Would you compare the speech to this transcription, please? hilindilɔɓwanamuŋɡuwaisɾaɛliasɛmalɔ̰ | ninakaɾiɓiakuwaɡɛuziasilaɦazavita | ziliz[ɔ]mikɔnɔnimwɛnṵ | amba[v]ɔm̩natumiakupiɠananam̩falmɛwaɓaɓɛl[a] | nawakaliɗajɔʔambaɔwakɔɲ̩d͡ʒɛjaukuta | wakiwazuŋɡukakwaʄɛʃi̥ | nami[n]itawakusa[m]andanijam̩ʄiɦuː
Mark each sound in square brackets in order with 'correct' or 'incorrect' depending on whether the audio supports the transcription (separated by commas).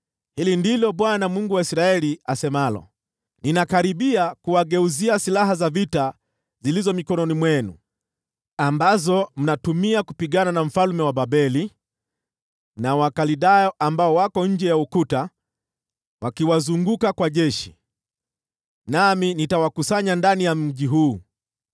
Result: correct, incorrect, incorrect, correct, incorrect